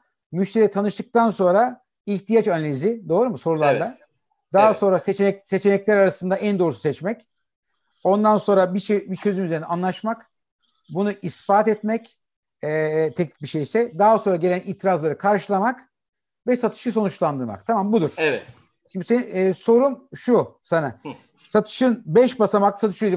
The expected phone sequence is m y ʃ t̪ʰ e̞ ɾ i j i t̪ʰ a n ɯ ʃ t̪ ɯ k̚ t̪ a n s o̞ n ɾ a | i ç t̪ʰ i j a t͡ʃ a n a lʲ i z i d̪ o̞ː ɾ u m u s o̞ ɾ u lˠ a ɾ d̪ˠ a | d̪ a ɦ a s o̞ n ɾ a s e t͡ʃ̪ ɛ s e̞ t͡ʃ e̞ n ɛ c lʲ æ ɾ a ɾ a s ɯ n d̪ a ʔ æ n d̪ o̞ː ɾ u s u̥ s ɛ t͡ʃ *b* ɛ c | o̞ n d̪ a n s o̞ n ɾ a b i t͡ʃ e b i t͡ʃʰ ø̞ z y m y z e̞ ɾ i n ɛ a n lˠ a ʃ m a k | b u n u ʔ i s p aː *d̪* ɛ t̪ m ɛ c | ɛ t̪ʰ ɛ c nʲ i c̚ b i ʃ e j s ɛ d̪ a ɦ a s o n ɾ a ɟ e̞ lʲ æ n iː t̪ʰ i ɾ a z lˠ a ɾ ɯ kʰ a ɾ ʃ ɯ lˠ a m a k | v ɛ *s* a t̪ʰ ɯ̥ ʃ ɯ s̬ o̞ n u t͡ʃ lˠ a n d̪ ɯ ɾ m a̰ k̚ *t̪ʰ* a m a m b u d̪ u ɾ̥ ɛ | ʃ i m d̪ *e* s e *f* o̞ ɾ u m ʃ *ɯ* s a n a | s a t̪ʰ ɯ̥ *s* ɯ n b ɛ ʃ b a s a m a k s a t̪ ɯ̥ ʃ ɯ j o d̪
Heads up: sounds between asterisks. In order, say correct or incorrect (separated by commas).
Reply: incorrect, incorrect, correct, correct, incorrect, incorrect, incorrect, incorrect